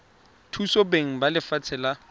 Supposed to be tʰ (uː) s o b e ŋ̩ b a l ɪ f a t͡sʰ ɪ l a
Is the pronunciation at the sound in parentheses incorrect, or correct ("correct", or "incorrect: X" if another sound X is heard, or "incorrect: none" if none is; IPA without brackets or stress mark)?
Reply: incorrect: u